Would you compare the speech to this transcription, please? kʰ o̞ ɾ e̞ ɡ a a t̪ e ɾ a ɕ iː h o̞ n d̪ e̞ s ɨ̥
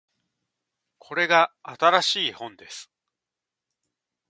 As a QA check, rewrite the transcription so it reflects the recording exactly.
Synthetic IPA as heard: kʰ o̞ ɾ e̞ ɡ a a t̪ a ɾ a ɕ iː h õ̞ n d̪ e̞ s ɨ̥